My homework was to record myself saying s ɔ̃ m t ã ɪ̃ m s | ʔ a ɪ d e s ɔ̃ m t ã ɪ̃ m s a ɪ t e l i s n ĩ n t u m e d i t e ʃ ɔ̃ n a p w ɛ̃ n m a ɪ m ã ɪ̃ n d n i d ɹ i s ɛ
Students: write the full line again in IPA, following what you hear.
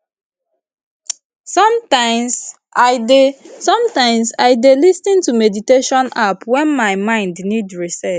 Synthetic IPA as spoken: s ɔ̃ m t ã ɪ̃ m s | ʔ a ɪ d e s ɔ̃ m t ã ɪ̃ m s a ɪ d e l i s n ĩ n t u m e d i t e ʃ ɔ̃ n a p w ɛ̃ n m a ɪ m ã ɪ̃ n d n i d ɹ i s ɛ